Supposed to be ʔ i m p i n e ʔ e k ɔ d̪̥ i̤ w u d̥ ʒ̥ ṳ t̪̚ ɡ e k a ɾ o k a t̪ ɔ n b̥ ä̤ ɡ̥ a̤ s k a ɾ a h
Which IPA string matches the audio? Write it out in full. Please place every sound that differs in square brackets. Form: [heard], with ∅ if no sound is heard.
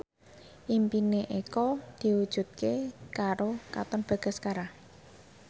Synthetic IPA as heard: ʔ i m p i n e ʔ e k ɔ d̪̥ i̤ w u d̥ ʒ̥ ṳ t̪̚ [k] e k a ɾ o k a t̪ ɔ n b̥ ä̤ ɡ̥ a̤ s k a ɾ a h